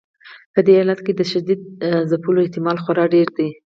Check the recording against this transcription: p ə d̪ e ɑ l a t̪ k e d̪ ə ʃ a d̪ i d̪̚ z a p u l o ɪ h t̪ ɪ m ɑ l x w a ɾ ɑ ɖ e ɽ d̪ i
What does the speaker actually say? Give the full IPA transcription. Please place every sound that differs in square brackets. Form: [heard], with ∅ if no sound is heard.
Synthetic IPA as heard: p ə d̪ e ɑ l a t̪ k e d̪ ə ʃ a d̪ i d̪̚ z a p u l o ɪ h t̪ ɪ m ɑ l x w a ɾ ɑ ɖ e [ɾ] d̪ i